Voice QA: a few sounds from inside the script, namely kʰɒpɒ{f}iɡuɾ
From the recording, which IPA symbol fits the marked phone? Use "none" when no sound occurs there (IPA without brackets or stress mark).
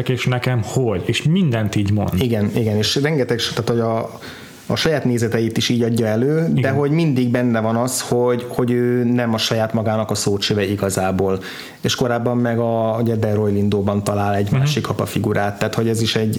f